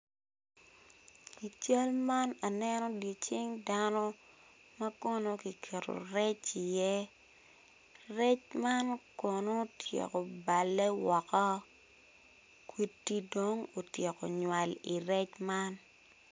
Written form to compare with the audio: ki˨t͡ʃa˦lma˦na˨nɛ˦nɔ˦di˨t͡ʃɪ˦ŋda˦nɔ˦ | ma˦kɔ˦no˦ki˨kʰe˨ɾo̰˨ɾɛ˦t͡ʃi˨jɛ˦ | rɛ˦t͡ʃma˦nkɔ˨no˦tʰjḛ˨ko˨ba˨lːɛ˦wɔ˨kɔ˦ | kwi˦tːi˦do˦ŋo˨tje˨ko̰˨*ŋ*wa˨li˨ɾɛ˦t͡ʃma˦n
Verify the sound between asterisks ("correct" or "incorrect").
incorrect